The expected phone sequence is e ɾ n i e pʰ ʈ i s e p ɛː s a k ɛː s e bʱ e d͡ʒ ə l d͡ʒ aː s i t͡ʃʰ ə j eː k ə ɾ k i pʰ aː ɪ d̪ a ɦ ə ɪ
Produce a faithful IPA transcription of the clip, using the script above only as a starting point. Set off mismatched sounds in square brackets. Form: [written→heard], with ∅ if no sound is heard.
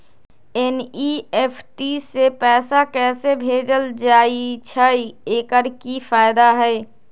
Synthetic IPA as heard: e [ɾ→∅] n i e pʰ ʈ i s e p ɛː s a k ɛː s e bʱ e d͡ʒ ə l d͡ʒ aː [s→∅] i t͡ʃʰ ə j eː k ə ɾ k i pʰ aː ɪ d̪ a ɦ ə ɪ